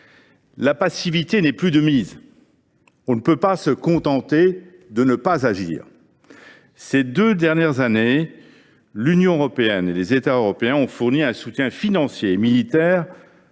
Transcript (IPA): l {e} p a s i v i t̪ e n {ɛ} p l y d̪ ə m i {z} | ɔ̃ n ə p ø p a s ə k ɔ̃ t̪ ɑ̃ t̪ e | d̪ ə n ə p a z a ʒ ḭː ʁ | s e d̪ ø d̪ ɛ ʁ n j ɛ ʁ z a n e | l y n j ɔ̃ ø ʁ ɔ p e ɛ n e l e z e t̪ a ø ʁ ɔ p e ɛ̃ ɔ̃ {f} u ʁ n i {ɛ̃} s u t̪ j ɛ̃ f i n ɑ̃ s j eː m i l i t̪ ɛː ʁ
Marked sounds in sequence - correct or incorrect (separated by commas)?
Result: incorrect, correct, correct, correct, correct